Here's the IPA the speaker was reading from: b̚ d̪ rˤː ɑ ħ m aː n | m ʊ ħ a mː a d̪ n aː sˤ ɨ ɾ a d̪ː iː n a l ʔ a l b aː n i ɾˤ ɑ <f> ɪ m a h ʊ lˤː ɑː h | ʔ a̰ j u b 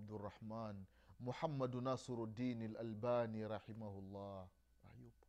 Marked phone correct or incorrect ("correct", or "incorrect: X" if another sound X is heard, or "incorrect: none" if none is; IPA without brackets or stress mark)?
incorrect: ħ